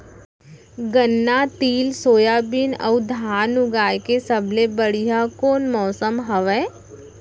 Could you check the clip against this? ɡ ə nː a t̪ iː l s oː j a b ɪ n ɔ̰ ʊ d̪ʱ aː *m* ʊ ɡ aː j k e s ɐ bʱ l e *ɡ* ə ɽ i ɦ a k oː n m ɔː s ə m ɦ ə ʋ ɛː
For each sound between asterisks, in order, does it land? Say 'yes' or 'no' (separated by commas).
no, no